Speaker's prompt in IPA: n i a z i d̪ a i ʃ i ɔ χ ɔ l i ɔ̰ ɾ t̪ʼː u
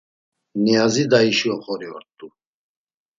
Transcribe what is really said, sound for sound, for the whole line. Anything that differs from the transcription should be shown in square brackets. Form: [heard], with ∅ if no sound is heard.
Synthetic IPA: n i a z i d̪ a i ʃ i ɔ χ ɔ [ɾ] i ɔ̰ ɾ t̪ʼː u